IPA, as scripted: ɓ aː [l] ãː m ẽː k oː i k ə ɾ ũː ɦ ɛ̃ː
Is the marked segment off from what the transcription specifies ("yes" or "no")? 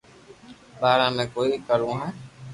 yes